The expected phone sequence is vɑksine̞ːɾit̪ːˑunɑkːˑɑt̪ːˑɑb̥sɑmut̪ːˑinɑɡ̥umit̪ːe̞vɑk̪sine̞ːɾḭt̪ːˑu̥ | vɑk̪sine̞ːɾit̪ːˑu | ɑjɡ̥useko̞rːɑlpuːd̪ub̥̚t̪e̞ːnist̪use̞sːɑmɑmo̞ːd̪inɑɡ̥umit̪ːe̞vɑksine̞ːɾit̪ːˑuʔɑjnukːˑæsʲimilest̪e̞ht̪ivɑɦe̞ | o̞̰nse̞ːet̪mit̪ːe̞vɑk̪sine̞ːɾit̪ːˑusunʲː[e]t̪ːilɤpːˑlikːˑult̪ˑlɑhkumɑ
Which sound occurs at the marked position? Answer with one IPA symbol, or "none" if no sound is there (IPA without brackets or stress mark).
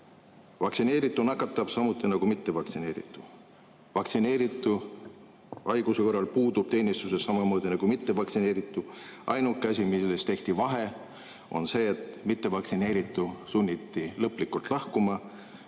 i